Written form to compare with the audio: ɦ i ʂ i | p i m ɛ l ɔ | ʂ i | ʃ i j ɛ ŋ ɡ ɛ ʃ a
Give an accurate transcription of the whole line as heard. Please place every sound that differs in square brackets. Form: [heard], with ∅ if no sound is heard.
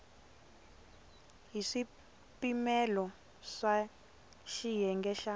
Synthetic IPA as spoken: ɦ i ʂ i | p i m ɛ l ɔ | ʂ [a] | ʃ i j ɛ ŋ ɡ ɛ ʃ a